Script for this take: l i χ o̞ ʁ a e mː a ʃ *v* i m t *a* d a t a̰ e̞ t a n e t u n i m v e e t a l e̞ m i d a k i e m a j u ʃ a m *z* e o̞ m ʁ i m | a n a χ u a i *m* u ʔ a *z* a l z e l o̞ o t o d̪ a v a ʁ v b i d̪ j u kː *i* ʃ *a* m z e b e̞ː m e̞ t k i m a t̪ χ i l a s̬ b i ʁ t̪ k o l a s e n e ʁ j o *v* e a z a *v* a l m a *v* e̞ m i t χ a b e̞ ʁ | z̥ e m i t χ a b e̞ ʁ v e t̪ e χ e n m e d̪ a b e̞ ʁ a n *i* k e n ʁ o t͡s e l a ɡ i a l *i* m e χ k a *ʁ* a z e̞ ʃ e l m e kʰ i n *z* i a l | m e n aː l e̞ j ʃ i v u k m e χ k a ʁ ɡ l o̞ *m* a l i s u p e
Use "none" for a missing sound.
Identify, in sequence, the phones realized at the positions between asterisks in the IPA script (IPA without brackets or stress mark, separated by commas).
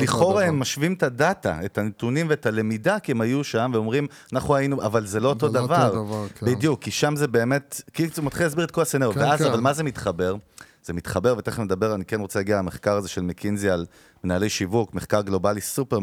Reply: v, a, v, n, v, i, a, v, v, z, i, a, ʁ, z, b